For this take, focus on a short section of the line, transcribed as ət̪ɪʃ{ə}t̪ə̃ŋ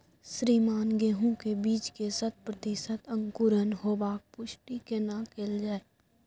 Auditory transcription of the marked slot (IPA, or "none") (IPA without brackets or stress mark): ə